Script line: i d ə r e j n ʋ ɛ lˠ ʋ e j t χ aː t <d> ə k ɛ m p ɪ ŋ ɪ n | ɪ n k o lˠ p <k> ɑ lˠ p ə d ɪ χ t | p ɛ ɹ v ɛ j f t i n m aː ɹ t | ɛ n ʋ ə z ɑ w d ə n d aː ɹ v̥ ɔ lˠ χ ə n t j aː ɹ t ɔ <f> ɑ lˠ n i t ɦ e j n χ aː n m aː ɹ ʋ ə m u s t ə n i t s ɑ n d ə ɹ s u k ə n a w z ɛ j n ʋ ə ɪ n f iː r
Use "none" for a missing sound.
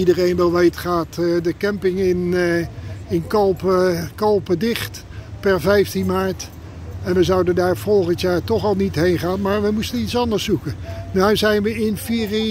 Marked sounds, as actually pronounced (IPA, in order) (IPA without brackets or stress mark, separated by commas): d, k, χ